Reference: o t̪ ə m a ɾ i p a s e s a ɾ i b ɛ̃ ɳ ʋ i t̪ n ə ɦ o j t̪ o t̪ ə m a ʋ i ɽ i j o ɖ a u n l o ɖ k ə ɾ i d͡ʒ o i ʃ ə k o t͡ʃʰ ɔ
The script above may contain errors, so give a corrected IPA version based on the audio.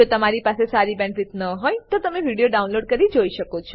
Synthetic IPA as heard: o t̪ ə m a ɾ i p a s e s a ɾ i b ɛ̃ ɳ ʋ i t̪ n ə ɦ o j t̪ o t̪ ə m e ʋ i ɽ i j o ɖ a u n l o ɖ k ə ɾ i d͡ʒ o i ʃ ə k o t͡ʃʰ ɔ